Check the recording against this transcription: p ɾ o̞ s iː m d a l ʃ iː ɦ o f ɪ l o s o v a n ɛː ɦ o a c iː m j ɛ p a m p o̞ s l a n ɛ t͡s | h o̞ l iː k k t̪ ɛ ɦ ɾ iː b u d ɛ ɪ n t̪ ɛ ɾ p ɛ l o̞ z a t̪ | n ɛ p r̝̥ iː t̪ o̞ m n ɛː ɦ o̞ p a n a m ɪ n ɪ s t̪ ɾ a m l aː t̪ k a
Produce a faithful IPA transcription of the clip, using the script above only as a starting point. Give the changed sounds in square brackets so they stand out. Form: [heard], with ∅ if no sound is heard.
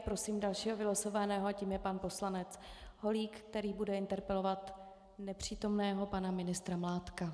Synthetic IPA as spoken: p ɾ o̞ s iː m d a l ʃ iː ɦ o [v] ɪ l o s o v a n ɛː ɦ o a c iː m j ɛ p a [n] p o̞ s l a n ɛ t͡s | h o̞ l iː k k t̪ ɛ [∅] ɾ iː b u d ɛ ɪ n t̪ ɛ ɾ p ɛ l o̞ [v] a t̪ | n ɛ p r̝̥ iː t̪ o̞ m n ɛː ɦ o̞ p a n a m ɪ n ɪ s t̪ ɾ a m l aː t̪ k a